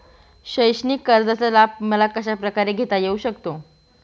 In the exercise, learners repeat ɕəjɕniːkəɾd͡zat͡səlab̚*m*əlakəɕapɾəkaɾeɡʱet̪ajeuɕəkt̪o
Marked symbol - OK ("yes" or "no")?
yes